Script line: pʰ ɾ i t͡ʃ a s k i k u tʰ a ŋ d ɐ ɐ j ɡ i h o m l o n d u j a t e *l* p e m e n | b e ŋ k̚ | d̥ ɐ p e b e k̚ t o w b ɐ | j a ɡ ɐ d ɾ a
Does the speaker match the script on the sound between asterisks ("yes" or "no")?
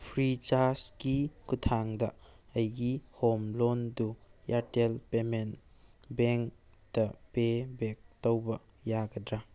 yes